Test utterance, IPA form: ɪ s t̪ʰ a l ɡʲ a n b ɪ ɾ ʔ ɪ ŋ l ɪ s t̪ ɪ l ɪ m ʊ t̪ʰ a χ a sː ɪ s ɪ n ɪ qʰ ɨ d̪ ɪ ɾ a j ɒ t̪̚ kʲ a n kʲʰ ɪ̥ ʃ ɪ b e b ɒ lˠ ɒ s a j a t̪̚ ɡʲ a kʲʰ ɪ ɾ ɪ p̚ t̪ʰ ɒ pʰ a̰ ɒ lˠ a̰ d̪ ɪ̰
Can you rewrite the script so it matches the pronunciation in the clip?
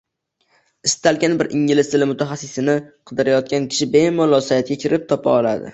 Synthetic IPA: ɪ s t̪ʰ a l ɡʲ a n b ɪ ɾ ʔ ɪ ŋ l ɪ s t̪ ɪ l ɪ m ʊ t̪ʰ a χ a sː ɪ s ɪ n ɪ qʰ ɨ d̪ ɪ ɾ a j ɒ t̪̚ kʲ a n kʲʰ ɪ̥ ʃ ɪ b e m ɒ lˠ ɒ s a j a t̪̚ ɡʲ a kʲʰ ɪ ɾ ɪ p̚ t̪ʰ ɒ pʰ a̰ ɒ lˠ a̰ d̪ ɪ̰